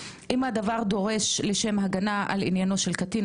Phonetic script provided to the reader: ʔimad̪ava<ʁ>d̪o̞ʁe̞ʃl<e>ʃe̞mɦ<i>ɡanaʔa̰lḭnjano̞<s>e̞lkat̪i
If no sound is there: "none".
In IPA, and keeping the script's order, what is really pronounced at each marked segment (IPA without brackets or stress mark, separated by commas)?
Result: ʁ, e, a, ʃ